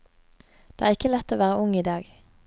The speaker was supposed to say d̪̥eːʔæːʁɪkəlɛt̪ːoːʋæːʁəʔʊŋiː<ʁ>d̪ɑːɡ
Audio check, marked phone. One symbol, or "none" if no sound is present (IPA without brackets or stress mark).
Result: none